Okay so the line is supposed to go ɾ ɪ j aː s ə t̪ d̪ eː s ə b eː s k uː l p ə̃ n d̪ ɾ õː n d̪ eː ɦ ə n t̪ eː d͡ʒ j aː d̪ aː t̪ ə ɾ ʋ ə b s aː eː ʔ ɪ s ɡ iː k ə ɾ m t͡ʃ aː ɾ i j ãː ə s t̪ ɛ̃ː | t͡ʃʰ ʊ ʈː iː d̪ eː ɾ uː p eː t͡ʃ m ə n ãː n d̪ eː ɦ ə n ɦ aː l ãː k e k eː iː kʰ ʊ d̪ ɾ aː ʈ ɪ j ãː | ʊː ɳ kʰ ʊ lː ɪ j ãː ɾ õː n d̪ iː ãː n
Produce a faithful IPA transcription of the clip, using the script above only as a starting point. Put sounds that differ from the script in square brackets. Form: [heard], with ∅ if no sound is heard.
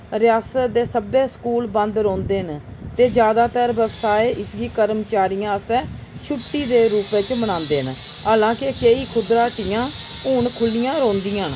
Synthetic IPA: ɾ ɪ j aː s ə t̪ d̪ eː s ə b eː s k uː l [b] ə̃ n d̪ ɾ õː n d̪ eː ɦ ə n t̪ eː d͡ʒ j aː d̪ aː t̪ ə ɾ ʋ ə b s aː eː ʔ ɪ s ɡ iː k ə ɾ m t͡ʃ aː ɾ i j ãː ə s t̪ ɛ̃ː | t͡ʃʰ ʊ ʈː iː d̪ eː ɾ uː p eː t͡ʃ m ə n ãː n d̪ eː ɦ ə n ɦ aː l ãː k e k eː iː kʰ ʊ d̪ ɾ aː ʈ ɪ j ãː | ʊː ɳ kʰ ʊ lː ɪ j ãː ɾ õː n d̪ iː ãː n